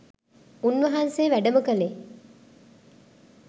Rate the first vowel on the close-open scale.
close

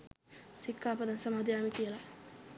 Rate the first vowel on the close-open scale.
close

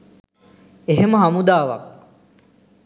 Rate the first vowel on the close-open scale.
mid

